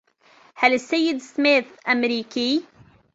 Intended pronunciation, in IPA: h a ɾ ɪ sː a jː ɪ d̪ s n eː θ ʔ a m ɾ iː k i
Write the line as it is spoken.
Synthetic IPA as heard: h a l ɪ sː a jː ɪ d̪ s m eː θ ʔ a m ɾ iː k i